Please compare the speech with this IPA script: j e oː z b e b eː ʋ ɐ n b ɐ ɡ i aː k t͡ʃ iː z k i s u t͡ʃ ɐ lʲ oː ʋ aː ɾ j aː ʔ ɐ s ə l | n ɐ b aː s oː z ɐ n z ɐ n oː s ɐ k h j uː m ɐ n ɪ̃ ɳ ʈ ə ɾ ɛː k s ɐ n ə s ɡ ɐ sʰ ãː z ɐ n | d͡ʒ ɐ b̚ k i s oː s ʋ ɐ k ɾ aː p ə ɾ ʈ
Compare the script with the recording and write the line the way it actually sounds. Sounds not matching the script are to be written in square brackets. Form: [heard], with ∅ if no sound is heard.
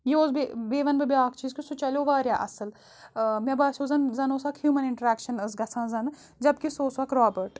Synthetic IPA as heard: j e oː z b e b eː ʋ ɐ n b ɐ [b] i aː k t͡ʃ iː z k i s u t͡ʃ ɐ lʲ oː ʋ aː ɾ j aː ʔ ɐ s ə l | [m] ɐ b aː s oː z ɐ n z ɐ n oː s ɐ k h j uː m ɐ n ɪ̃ ɳ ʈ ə ɾ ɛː k [ʃ] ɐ n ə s ɡ ɐ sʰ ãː z ɐ n | d͡ʒ ɐ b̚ k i s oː s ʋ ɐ k ɾ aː [b] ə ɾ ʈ